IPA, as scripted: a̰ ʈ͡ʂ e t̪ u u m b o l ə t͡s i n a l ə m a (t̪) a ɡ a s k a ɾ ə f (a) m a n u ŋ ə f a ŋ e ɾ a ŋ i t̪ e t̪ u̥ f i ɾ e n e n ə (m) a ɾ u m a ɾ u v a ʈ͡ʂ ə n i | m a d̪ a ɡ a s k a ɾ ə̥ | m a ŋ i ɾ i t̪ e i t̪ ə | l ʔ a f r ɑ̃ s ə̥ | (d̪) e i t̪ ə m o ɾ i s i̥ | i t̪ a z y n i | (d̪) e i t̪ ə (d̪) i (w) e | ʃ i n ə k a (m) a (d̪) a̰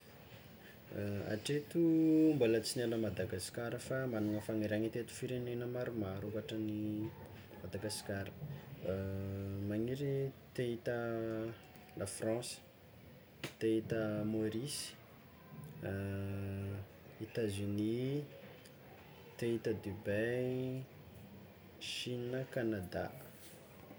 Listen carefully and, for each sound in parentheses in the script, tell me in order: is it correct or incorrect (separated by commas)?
incorrect, correct, correct, incorrect, incorrect, correct, incorrect, incorrect, correct